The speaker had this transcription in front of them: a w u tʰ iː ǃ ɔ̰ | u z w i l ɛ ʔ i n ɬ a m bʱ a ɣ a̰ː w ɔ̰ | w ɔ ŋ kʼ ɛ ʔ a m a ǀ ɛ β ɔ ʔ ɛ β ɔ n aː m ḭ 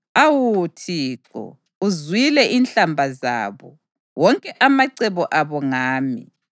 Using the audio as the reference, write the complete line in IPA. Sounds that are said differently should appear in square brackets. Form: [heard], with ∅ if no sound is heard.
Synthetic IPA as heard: a w u tʰ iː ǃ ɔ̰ | u z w i l ɛ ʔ i n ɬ a m bʱ a [z] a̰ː [β] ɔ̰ | w ɔ ŋ kʼ ɛ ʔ a m a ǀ ɛ β ɔ ʔ [a] β ɔ [ŋ] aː m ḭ